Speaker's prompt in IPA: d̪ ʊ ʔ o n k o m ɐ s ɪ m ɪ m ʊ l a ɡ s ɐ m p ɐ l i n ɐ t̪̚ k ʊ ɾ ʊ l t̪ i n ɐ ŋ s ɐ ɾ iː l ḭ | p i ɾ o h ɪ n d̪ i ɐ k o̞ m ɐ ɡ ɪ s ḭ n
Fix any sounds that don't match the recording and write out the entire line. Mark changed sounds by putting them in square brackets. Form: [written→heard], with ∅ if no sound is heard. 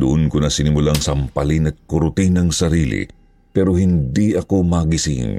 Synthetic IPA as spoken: d̪ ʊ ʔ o n k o [m→n] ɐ s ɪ [m→n] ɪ m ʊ l a [ɡ→ŋ] s ɐ m p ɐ l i n ɐ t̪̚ k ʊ ɾ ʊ [l→∅] t̪ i n ɐ ŋ s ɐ ɾ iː l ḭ | p [i→ɛ] ɾ o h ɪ n d̪ i ɐ k o̞ m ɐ ɡ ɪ s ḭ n